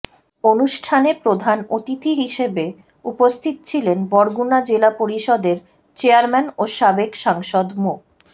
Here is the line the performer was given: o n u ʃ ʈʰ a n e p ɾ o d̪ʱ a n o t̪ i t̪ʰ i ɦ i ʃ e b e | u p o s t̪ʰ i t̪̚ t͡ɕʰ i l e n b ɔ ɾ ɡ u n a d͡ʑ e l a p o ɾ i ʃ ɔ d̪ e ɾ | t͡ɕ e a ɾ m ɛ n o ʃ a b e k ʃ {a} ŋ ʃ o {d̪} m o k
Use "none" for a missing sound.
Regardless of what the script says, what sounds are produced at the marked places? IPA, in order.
a, d̪

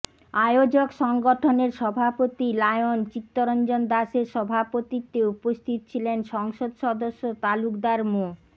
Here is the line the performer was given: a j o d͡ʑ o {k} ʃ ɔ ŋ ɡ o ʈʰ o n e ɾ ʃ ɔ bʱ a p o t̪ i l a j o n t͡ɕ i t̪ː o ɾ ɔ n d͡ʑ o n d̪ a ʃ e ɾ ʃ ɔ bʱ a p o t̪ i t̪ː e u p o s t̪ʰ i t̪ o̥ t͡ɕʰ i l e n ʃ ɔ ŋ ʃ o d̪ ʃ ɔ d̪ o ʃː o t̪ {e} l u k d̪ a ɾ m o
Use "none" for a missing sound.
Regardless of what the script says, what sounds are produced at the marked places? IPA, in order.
k, a

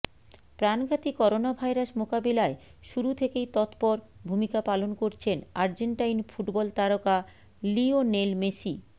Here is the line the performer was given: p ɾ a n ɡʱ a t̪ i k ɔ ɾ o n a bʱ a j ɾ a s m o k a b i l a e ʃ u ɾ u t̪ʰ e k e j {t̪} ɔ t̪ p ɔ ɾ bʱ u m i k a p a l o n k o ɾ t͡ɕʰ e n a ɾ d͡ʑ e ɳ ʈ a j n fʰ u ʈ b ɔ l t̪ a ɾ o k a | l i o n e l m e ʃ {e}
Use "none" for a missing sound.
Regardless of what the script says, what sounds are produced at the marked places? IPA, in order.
t̪, i

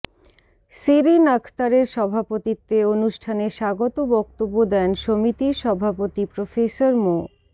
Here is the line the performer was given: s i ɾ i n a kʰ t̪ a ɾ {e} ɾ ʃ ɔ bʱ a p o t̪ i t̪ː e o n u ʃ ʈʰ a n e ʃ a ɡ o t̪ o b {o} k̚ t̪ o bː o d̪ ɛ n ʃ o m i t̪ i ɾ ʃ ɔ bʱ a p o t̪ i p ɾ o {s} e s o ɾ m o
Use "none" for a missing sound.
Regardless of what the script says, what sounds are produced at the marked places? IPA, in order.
e, ɔ, f

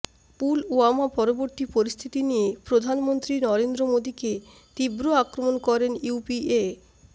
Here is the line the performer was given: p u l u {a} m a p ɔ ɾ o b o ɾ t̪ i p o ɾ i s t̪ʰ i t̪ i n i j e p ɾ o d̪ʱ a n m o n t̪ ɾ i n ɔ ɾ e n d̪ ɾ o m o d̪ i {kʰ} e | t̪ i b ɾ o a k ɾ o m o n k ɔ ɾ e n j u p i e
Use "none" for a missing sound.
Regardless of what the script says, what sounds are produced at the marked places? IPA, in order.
a, k

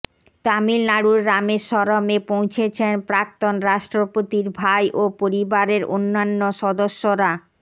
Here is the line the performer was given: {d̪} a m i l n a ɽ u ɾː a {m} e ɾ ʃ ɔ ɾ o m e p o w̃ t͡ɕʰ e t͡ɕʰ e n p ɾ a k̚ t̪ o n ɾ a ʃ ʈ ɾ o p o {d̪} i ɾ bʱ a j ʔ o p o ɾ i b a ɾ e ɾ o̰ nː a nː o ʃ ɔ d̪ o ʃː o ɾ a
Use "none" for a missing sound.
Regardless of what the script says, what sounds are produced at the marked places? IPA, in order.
t̪, m, t̪

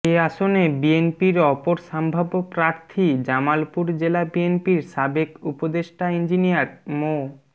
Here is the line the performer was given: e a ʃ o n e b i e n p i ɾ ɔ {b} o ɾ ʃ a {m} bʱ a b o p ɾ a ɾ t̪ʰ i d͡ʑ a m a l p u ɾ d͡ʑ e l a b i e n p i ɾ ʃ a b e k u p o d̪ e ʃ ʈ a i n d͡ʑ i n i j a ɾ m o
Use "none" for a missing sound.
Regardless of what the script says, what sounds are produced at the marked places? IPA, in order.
p, m

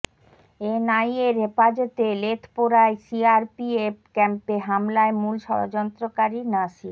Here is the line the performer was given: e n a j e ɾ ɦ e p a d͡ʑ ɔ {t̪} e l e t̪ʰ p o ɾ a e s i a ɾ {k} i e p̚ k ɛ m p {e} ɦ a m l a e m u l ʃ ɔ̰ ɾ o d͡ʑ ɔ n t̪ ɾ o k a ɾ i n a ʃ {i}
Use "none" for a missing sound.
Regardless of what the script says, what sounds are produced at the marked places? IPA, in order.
t̪, p, e, i

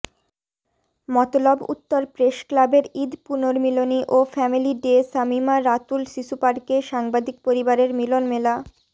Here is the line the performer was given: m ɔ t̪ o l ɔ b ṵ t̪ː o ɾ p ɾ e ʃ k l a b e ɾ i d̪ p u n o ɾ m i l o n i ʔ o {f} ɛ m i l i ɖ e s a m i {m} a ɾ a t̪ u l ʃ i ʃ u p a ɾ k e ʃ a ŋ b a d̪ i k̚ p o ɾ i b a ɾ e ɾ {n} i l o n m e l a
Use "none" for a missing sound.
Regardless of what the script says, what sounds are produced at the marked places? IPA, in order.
f, m, m

